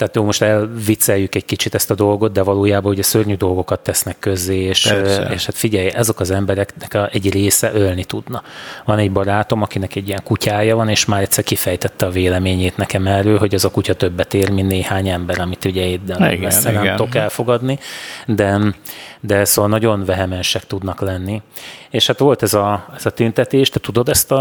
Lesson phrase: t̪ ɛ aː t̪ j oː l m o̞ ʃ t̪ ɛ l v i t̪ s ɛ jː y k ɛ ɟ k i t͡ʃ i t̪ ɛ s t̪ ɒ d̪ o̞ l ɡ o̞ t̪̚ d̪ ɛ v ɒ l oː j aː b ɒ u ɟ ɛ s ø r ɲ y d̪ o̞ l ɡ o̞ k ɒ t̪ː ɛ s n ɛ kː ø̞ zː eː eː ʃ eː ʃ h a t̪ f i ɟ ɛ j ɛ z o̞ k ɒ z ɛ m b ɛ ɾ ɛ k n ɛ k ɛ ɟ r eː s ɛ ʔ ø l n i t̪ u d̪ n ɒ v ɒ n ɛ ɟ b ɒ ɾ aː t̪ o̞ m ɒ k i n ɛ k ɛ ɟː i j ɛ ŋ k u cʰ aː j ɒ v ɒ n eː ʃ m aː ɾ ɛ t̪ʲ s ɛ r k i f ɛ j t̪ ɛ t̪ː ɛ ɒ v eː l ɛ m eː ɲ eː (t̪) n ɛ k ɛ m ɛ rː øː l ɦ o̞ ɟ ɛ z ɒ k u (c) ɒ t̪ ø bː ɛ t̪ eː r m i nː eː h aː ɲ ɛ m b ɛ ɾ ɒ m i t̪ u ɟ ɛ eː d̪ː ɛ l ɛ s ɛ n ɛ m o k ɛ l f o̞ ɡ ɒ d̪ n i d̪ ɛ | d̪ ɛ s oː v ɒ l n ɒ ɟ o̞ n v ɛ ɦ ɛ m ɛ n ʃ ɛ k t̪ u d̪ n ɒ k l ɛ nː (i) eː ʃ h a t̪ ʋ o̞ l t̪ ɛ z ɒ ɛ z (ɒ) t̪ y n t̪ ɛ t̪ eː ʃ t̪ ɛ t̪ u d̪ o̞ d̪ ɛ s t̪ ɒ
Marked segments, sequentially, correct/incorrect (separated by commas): correct, correct, correct, correct